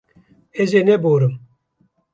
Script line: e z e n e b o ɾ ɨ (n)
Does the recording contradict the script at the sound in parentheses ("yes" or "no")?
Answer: yes